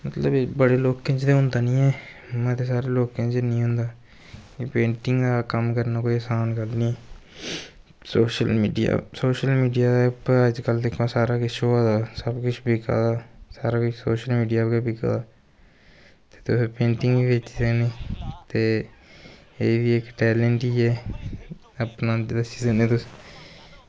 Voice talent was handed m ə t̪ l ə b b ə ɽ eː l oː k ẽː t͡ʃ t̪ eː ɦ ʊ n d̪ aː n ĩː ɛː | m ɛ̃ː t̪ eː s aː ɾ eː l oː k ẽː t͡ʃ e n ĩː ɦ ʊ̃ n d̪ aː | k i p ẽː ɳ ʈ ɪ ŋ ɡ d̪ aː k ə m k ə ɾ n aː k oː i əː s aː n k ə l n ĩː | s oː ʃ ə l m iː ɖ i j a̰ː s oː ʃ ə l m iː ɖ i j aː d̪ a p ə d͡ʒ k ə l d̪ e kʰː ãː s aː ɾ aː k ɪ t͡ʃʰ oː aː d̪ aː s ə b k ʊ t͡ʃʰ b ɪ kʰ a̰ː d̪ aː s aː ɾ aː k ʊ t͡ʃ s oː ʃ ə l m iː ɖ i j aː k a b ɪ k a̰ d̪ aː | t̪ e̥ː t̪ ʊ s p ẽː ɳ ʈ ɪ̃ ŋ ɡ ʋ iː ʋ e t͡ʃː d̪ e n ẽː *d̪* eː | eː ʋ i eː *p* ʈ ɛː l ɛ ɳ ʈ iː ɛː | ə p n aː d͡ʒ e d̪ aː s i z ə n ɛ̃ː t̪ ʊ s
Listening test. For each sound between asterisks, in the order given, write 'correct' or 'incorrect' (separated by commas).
incorrect, incorrect